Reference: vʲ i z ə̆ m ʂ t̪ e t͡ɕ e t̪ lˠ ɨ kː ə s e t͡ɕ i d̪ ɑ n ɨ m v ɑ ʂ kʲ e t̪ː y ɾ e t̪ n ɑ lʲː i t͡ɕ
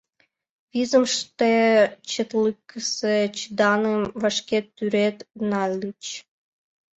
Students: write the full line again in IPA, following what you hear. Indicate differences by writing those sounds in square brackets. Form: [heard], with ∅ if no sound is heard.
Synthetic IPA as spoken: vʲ i z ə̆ m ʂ t̪ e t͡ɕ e t̪ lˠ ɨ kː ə s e t͡ɕ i d̪ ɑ n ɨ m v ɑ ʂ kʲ e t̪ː y ɾ e t̪ n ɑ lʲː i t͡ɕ